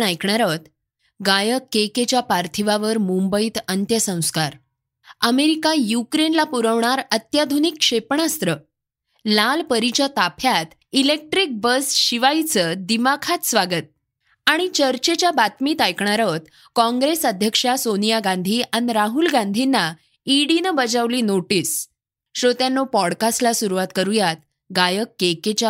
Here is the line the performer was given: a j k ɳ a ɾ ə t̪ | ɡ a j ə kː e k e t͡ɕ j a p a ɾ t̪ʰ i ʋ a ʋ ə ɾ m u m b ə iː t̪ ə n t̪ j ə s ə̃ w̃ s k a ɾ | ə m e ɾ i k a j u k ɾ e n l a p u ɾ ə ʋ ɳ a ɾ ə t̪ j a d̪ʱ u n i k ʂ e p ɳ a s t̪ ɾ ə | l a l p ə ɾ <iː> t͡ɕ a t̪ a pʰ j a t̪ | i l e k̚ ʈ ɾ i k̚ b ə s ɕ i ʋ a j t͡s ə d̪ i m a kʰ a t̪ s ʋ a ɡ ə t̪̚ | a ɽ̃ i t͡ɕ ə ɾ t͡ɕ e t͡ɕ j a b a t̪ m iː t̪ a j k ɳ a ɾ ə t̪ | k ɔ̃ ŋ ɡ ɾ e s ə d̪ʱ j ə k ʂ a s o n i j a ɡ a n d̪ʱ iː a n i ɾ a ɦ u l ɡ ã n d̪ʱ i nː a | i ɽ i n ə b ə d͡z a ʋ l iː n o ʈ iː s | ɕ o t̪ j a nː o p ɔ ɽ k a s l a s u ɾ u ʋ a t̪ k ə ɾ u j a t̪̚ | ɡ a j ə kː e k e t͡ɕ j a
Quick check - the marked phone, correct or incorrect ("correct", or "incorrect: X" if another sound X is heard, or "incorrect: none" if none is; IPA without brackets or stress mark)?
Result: incorrect: i